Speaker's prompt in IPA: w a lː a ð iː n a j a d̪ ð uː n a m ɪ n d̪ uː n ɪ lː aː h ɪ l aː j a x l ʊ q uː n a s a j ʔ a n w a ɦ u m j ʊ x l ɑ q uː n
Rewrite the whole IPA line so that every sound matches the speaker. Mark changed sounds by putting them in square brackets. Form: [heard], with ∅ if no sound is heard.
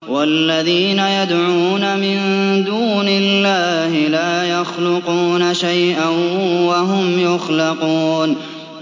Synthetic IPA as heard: w a lː a ð iː n a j a d̪ [ʕ] uː n a m ɪ n d̪ uː n ɪ lː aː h ɪ l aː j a x l ʊ q uː n a [ʃ] a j ʔ a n w a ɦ [ʊ] m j ʊ x l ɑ q uː n